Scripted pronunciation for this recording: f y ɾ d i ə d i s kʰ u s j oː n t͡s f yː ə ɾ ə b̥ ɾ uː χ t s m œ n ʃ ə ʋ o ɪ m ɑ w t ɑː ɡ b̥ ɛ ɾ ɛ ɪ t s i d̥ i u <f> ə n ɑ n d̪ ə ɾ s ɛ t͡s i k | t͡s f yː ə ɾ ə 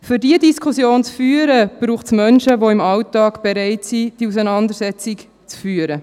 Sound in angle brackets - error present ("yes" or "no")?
yes